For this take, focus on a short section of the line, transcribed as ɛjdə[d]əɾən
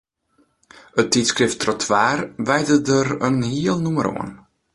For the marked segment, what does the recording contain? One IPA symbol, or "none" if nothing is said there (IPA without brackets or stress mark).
d